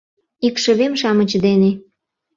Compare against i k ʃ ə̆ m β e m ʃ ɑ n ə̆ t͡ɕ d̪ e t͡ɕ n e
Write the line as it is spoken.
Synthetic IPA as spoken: i k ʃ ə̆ β e m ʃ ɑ m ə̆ t͡ɕ d̪ e n e

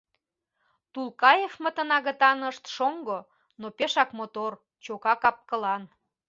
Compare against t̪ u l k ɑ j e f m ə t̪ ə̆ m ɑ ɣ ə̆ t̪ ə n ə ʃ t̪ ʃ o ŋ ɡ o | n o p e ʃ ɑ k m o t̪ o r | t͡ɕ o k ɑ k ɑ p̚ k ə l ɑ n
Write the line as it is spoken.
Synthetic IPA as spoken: t̪ u l k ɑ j e f m ə t̪ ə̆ n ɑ ɣ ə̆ t̪ ɑ n ə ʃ t̪ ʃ o ŋ ɡ o | n o p e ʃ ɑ k m o t̪ o r | t͡ɕ o k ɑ k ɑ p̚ k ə l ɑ n

